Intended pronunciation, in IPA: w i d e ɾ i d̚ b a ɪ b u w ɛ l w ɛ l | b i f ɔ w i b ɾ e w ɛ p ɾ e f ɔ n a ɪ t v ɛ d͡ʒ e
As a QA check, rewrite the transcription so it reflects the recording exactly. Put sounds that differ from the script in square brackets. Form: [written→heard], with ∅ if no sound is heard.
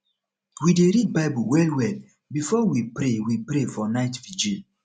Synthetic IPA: w i d e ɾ i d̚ b a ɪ b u w ɛ l w ɛ l | b i f ɔ w i [b→p] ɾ e w [ɛ→i] p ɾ e f ɔ n a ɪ t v [ɛ→i] d͡ʒ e